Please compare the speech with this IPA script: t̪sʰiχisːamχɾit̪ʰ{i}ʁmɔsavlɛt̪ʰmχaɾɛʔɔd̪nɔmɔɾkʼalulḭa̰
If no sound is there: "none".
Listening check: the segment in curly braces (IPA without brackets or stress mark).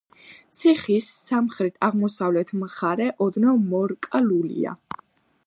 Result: a